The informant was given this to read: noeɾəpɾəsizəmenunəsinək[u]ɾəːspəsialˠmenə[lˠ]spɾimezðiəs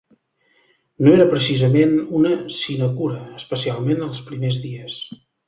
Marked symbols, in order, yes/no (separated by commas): yes, yes